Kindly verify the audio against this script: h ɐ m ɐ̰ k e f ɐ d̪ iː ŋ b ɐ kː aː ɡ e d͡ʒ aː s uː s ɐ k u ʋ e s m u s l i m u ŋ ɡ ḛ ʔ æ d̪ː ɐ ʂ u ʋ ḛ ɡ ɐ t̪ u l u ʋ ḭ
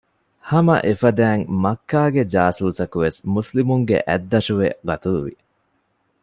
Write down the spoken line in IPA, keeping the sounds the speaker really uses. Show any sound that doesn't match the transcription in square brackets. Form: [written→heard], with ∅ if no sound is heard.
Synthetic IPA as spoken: h ɐ m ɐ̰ [k→ʔ] e f ɐ d̪ [iː→æː] ŋ [b→m] ɐ kː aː ɡ e d͡ʒ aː s uː s ɐ k u ʋ e s m u s l i m u ŋ ɡ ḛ ʔ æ d̪ː ɐ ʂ u ʋ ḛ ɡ ɐ t̪ u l u ʋ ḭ

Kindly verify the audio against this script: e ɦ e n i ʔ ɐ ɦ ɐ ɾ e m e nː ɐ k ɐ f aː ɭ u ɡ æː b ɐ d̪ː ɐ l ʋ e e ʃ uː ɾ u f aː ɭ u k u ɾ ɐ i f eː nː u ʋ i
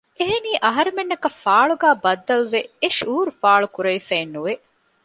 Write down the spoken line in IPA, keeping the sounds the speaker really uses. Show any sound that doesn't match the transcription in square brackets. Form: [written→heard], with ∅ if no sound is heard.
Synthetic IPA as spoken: e ɦ e n [i→iː] ʔ ɐ ɦ ɐ ɾ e m e nː ɐ k ɐ f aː ɭ u ɡ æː b ɐ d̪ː ɐ l ʋ e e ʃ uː ɾ u f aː ɭ u k u ɾ ɐ i f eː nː u ʋ [i→e]

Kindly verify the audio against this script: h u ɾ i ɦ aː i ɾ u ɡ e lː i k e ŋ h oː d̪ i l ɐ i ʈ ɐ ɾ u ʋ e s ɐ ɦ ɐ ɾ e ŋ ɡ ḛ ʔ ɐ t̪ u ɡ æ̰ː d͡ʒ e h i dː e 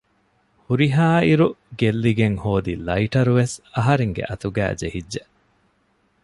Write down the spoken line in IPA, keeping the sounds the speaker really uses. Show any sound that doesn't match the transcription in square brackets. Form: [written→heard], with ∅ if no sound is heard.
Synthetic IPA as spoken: h u ɾ i ɦ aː i ɾ u ɡ e lː i [k→ɡ] e ŋ h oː d̪ i l ɐ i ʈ ɐ ɾ u ʋ e s ɐ ɦ ɐ ɾ e ŋ ɡ ḛ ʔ ɐ t̪ u ɡ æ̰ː d͡ʒ e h i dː e

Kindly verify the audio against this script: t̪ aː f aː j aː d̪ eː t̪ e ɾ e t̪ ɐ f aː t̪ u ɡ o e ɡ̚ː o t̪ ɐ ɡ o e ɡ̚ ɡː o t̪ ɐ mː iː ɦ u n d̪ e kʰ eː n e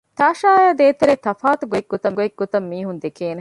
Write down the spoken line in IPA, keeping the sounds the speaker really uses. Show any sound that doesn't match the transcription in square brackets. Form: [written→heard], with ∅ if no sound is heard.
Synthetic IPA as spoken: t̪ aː [f→ʃ] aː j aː d̪ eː t̪ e ɾ e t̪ ɐ f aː t̪ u ɡ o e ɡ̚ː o t̪ ɐ ɡ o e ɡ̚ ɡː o t̪ ɐ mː iː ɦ u n d̪ e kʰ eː n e

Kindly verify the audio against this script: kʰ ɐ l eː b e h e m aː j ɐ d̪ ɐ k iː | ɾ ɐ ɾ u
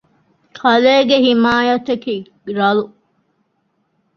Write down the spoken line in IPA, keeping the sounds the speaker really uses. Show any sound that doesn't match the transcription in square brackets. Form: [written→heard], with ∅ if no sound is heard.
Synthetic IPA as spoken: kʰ ɐ l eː [b→ɡ] e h [e→i] m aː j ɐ [d̪→t̪] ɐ k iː | ɾ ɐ [ɾ→l] u

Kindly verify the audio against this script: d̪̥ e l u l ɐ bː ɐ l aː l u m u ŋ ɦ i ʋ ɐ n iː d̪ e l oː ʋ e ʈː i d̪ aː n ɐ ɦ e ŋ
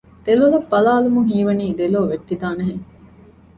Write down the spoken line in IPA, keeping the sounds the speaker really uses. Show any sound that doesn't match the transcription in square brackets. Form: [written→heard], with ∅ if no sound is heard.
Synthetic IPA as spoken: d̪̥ e l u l ɐ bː ɐ l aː l u m u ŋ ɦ [i→iː] ʋ ɐ n iː d̪ e l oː ʋ e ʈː i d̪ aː n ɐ ɦ e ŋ

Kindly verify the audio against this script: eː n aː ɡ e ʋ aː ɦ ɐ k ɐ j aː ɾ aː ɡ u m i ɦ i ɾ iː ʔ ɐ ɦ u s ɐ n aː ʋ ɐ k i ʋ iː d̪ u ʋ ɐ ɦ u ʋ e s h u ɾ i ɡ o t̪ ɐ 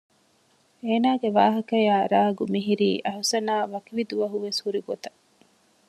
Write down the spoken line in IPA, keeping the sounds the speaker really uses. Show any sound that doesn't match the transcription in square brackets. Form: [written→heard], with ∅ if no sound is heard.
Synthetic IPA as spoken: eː n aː ɡ e ʋ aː ɦ ɐ k ɐ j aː ɾ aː ɡ u m i ɦ i ɾ iː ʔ ɐ ɦ u s ɐ n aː ʋ ɐ k i ʋ [iː→i] d̪ u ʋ ɐ ɦ u ʋ e s h u ɾ i ɡ o t̪ ɐ

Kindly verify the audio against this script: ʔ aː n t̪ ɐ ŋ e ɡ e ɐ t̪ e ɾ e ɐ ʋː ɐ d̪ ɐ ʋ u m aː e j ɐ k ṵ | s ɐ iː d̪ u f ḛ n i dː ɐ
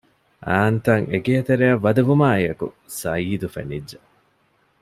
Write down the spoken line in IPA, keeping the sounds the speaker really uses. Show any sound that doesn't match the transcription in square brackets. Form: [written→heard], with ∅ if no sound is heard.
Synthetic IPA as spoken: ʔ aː n t̪ ɐ ŋ e ɡ e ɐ t̪ e ɾ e ɐ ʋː ɐ d̪ ɐ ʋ u m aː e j ɐ k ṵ | s ɐ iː d̪ u f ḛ n i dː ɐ

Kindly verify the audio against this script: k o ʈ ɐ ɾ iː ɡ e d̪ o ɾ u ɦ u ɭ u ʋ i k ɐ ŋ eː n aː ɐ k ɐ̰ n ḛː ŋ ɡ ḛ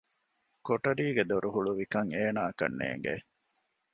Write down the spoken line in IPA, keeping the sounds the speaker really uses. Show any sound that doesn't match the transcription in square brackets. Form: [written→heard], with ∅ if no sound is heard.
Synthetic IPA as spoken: k o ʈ ɐ ɾ iː ɡ e d̪ o ɾ u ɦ u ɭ u ʋ i k ɐ ŋ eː n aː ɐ k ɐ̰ [n→nː] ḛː ŋ ɡ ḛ

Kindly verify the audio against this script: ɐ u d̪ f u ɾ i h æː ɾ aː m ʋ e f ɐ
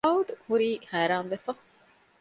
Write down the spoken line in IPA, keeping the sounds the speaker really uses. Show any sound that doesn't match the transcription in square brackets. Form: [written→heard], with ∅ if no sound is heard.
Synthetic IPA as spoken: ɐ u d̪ [f→h] u ɾ [i→iː] h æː ɾ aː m ʋ e f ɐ

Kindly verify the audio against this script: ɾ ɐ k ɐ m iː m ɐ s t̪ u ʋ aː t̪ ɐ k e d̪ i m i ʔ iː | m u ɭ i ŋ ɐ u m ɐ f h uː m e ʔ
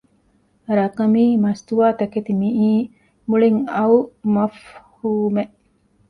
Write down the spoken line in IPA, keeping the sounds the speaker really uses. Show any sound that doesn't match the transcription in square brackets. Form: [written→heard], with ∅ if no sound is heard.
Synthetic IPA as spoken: ɾ ɐ k ɐ m iː m ɐ s t̪ u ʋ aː t̪ ɐ k e [d̪→t̪] i m i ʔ iː | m u ɭ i ŋ ɐ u m ɐ f h uː m e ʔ

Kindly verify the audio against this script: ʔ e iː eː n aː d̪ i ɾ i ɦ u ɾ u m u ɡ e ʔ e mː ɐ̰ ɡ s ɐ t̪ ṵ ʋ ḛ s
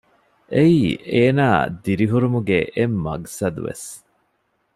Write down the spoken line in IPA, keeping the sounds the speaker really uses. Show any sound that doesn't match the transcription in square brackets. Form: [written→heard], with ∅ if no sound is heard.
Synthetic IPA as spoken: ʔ e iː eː n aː d̪ i ɾ i ɦ u ɾ u m u ɡ e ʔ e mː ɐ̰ ɡ s ɐ [t̪→d̪] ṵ ʋ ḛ s

